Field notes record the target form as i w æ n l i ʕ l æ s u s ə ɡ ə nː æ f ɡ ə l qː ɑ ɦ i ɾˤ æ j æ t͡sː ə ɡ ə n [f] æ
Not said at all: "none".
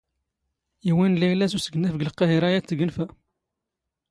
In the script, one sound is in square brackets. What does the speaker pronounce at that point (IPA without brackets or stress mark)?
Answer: f